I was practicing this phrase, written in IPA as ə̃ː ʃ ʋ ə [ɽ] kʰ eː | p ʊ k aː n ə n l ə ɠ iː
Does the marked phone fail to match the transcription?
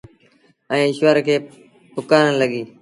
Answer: yes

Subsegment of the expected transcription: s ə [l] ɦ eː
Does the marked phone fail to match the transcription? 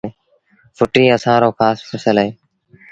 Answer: no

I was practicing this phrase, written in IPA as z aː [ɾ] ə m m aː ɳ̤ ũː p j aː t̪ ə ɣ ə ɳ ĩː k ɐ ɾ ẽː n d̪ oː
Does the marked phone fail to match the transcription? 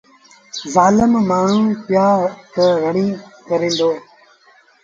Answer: yes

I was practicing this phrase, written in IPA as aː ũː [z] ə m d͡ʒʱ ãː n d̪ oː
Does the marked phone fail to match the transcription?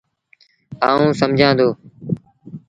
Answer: yes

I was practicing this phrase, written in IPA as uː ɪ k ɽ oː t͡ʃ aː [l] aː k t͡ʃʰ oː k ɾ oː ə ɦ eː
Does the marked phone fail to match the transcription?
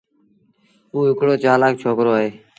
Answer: no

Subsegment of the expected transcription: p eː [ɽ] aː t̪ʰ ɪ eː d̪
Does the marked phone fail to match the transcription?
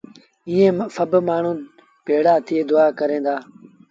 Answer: no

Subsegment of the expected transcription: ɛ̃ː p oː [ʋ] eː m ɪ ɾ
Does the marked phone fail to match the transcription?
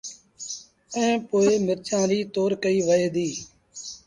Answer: yes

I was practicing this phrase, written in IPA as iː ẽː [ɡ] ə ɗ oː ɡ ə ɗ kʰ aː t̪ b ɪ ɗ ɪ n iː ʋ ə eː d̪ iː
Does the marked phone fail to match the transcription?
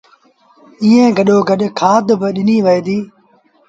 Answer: no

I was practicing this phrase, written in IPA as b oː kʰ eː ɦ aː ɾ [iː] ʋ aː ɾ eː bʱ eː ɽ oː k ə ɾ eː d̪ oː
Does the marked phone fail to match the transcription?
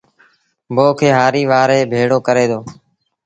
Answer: no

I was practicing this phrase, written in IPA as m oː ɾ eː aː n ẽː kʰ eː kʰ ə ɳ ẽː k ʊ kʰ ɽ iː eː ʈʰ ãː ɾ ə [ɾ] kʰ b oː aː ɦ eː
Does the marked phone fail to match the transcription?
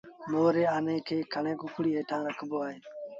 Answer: yes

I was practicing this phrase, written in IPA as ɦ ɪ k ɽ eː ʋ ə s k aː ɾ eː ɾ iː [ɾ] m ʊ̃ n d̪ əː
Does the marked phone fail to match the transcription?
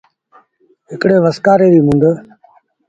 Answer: yes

